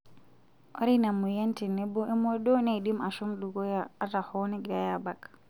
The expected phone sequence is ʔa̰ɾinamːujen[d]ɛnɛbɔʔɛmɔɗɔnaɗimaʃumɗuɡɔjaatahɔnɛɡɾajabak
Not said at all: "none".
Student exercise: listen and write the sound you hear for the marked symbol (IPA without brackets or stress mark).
t